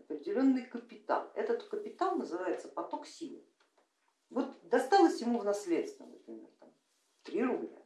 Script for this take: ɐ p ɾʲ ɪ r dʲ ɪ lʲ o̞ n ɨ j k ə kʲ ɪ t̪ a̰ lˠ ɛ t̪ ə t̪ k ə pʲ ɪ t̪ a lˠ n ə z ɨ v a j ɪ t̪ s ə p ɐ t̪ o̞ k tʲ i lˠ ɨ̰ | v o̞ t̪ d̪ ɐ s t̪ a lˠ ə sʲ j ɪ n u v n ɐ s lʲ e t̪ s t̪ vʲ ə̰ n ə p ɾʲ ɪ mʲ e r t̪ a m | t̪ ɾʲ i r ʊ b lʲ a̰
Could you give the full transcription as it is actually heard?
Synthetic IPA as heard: ɐ p ɾʲ ɪ dʲ ɪ lʲ o̞ nː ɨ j k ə pʲ ɪ t̪ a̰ lˠ ɛ t̪ ə t̪ k ə pʲ ɪ t̪ a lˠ n ə z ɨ v a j ɪ t̪ s ə p ɐ t̪ o̞ k sʲ i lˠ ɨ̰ | v o̞ t̪ d̪ ɐ s t̪ a lˠ ə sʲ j ɪ m u v n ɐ s lʲ e t̪ s t̪ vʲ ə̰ n ə p ɾʲ ɪ mʲ e r t̪ a m | t̪ ɾʲ i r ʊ b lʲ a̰